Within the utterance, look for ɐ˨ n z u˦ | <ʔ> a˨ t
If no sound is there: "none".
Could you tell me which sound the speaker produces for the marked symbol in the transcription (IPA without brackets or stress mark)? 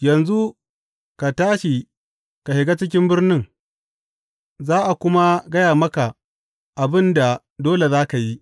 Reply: k